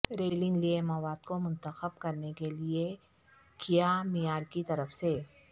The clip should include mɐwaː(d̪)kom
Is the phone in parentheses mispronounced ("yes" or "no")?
no